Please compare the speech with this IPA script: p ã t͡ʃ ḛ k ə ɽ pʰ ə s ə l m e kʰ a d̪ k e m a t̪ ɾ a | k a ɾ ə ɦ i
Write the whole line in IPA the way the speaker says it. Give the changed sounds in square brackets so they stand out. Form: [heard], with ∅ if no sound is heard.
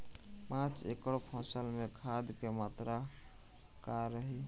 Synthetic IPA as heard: p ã t͡ʃ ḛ k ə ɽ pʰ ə s ə l m e kʰ a d̪ k e m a t̪ ɾ a | k a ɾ ə ɦ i